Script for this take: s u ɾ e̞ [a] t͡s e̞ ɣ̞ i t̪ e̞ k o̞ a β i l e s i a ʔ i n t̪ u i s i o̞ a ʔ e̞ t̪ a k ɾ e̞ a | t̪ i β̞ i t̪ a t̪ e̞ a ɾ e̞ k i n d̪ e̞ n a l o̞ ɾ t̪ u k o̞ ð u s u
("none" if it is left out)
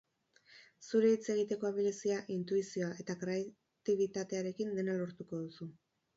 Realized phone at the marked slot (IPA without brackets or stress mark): i